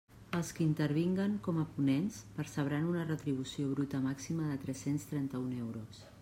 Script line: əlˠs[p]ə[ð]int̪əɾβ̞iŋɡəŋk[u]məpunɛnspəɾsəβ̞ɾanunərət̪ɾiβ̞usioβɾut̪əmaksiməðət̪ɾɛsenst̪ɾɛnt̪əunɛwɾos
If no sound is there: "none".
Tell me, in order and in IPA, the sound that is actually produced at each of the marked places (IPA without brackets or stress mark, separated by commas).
k, none, ɔ